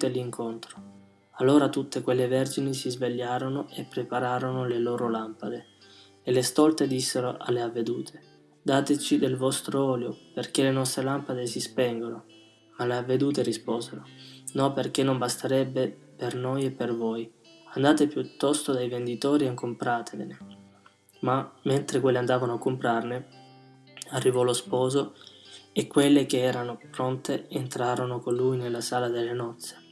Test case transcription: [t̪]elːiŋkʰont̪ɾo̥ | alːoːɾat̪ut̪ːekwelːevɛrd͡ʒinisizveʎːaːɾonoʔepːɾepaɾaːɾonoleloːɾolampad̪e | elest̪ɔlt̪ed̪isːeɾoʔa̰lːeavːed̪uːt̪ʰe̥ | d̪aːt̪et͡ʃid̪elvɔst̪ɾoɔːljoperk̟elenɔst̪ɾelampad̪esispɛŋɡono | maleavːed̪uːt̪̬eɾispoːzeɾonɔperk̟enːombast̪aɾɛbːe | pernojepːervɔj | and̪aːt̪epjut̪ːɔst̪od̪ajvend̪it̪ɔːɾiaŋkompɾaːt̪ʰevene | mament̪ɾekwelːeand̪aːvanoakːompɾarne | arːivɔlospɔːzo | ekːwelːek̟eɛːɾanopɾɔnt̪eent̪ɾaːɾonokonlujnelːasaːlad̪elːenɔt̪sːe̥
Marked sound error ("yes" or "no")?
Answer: no